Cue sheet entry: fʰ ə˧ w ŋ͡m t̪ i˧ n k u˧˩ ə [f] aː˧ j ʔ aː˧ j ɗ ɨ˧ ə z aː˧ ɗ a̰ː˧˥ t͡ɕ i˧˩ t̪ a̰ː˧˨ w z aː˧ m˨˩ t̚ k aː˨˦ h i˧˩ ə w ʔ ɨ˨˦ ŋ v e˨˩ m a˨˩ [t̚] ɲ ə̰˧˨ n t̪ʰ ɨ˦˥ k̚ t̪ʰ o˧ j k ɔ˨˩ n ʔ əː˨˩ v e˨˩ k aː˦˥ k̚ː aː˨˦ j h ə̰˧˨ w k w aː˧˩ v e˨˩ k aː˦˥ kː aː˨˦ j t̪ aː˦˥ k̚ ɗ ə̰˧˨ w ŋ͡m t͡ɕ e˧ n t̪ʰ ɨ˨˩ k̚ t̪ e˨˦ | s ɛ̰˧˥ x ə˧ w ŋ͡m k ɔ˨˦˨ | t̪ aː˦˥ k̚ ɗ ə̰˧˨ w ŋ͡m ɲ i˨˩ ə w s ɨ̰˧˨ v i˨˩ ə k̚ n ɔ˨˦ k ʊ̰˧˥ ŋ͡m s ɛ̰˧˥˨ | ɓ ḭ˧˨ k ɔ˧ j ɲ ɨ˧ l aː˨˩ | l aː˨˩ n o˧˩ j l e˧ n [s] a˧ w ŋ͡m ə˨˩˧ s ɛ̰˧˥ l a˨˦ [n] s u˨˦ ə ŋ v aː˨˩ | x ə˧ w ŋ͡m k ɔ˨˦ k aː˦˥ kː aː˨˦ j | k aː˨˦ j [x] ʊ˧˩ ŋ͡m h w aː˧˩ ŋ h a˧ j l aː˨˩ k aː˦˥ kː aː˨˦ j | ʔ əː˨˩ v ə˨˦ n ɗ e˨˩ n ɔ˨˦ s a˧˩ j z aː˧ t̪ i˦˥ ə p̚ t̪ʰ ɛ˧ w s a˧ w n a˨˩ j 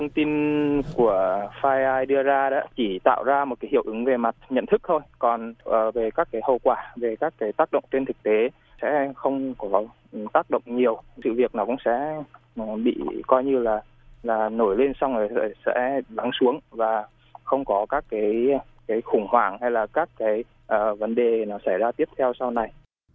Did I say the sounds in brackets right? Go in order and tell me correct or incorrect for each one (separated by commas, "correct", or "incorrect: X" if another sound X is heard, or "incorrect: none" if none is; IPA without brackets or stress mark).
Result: correct, correct, correct, incorrect: ŋ, correct